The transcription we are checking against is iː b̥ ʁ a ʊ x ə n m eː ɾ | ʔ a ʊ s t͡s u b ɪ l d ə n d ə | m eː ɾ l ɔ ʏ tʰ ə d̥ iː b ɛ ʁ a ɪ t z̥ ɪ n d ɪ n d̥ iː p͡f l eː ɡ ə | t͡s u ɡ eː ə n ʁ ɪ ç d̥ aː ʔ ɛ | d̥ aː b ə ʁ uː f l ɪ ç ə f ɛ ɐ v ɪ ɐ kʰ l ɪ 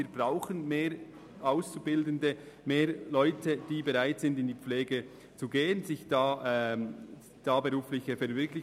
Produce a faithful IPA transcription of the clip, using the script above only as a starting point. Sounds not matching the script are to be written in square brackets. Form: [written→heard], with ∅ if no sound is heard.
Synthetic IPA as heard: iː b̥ ʁ a ʊ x ə n m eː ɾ | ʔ a ʊ s t͡s u b ɪ l d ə n d ə | m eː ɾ l ɔ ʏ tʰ ə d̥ iː b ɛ ʁ a ɪ t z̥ ɪ n d ɪ n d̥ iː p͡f l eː ɡ ə | t͡s u ɡ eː ə n [ʁ→z] ɪ ç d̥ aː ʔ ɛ | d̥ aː b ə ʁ uː f l ɪ ç ə f ɛ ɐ v ɪ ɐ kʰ l ɪ